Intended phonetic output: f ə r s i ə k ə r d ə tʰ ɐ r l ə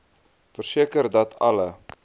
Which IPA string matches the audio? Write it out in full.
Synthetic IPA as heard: f ə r s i ə k ə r d ɐ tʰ ɐ l ə